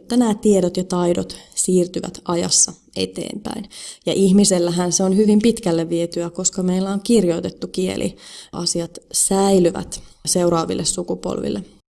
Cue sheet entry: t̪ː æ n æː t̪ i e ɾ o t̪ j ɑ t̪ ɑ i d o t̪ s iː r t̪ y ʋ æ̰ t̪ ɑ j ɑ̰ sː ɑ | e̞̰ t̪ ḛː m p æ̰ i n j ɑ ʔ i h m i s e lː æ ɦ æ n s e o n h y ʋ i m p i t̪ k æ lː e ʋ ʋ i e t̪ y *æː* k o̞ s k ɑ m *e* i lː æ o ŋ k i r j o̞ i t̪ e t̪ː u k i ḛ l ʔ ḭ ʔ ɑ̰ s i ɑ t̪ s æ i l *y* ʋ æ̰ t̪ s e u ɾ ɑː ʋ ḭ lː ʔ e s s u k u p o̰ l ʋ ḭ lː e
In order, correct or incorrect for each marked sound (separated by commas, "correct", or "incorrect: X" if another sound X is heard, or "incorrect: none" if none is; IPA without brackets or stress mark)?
incorrect: æ, correct, correct